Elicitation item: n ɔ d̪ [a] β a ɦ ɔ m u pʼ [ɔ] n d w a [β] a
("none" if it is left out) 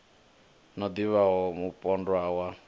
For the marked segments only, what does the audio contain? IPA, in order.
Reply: i, ɔ, w

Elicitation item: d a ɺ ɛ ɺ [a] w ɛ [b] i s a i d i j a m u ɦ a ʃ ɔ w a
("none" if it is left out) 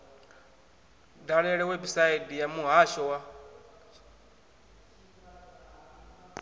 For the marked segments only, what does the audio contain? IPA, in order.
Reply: ɛ, b

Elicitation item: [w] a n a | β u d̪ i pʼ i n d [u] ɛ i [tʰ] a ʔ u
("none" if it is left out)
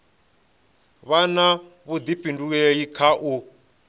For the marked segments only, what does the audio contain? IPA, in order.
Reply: β, u, kʰ

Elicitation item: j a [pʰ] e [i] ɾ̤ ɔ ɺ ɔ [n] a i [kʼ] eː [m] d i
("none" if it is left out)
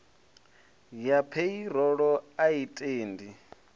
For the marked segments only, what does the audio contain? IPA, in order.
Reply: pʰ, i, none, tʼ, n

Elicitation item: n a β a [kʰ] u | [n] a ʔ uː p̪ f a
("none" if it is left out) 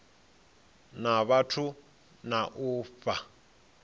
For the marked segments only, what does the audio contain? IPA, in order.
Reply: tʰ, n

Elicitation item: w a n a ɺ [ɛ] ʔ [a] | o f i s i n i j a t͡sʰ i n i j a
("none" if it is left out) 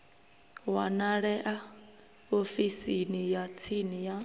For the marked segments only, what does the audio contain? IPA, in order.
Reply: ɛ, a

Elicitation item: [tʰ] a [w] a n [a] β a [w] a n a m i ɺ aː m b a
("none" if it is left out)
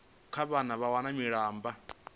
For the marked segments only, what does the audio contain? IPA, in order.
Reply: kʰ, β, a, w

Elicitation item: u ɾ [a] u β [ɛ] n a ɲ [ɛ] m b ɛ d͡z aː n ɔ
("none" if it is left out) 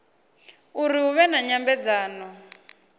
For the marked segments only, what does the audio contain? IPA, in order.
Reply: i, ɛ, a

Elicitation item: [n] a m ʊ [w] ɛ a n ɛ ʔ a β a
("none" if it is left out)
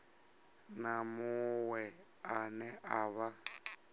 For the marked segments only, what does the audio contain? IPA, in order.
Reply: n, w

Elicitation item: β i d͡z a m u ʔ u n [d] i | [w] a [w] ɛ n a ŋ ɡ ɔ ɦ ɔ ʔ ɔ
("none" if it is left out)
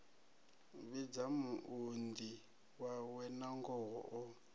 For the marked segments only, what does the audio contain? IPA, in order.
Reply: d, w, w

